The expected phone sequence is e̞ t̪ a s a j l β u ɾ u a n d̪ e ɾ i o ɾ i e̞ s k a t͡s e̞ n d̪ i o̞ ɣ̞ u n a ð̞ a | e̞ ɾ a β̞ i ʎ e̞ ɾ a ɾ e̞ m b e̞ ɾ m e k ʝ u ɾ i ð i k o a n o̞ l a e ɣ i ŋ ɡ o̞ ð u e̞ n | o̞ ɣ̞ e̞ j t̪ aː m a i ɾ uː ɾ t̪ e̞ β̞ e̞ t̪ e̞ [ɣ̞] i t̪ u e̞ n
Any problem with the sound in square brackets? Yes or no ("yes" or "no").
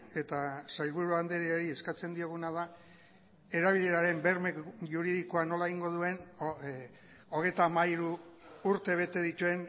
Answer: yes